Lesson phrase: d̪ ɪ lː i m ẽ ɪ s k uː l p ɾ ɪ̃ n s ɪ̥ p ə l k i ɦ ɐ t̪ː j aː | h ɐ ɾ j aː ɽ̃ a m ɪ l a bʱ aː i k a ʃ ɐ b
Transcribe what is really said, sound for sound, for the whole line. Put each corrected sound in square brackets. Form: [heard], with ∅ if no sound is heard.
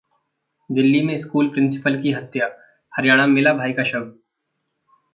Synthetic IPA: d̪ ɪ lː i m ẽ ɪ s k uː l p ɾ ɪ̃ n s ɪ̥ p ə l k i ɦ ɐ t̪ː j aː | h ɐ ɾ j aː ɽ̃ a m ɪ l a bʱ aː i k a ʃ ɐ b